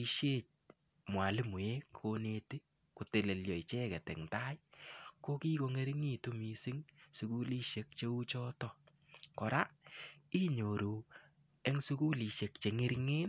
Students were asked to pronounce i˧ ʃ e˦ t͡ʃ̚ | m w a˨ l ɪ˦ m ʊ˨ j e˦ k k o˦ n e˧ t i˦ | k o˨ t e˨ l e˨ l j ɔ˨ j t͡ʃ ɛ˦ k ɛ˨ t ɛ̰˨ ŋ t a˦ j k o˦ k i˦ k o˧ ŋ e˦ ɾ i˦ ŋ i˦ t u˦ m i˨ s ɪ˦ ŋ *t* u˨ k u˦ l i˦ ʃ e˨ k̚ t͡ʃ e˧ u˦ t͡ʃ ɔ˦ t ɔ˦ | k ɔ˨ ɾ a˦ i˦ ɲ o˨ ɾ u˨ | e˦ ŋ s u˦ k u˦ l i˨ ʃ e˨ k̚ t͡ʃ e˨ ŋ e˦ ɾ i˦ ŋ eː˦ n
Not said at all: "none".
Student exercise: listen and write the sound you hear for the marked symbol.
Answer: s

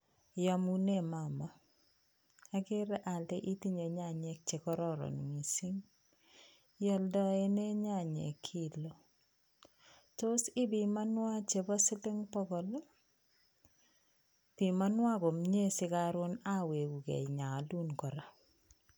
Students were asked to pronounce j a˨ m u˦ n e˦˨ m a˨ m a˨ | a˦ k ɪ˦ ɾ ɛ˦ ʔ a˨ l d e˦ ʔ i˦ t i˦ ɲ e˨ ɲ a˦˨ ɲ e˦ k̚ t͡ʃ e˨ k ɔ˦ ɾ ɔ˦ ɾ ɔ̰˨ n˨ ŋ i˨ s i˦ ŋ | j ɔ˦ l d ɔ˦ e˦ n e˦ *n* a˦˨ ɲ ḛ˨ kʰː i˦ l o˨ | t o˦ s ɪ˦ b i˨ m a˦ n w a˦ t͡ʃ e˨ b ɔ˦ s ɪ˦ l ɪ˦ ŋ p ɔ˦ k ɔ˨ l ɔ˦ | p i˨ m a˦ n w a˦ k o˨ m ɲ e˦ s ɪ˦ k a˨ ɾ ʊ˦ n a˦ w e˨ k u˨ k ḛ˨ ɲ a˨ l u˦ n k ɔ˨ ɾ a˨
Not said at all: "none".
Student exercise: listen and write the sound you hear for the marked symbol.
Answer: ɲ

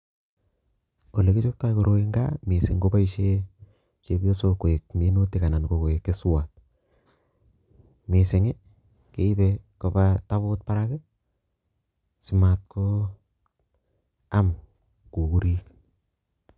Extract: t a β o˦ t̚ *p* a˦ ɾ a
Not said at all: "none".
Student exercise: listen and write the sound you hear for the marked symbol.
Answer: p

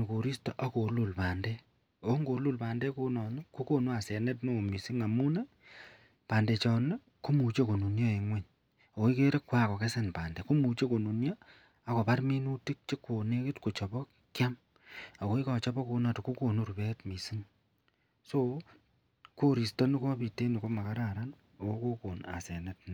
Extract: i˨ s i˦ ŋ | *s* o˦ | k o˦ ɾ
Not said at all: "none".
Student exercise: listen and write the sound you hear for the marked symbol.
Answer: s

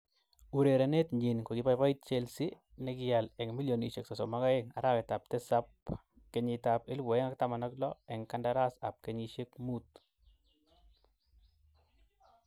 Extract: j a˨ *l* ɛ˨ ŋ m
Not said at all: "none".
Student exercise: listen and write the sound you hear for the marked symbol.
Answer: l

